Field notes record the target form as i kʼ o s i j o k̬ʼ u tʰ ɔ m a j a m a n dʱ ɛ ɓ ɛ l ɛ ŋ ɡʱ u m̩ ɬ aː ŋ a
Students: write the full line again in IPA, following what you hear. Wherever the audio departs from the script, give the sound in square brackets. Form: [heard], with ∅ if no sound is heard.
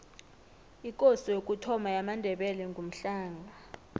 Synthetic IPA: i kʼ o s i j o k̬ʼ u tʰ ɔ m a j a m a n dʱ ɛ ɓ ɛ l ɛ ŋ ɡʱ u m̩ ɬ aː ŋ a